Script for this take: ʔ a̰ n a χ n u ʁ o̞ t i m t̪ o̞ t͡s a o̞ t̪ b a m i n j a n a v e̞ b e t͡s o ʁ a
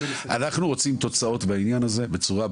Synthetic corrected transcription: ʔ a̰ n a χ n u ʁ o̞ t͡s i m t̪ o̞ t͡s a o̞ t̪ b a i n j a n a z e̞ b e t͡s u ʁ a